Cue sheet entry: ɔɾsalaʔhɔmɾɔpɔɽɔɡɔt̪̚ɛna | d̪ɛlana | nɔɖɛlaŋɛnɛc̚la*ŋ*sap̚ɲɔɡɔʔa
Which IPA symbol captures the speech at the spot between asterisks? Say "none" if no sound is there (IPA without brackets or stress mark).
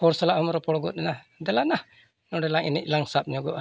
ŋ